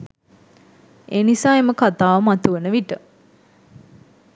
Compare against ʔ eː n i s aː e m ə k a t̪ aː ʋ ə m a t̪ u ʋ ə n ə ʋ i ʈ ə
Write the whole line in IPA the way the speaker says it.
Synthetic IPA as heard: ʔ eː n i s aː e m ə k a t̪ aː ʋ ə m a t̪ u ʋ ə n ə ʋ i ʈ ə